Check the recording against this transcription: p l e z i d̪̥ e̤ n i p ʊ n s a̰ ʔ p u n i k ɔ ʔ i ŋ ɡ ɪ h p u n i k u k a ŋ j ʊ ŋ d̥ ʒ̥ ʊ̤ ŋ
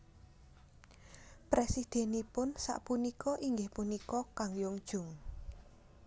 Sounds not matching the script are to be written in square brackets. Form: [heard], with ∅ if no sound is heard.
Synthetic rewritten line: p [ɾ] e [s] i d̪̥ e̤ n i p ʊ n s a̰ ʔ p u n i k ɔ ʔ i ŋ ɡ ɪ h p u n i k [ɔ] k a ŋ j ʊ ŋ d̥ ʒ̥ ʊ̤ ŋ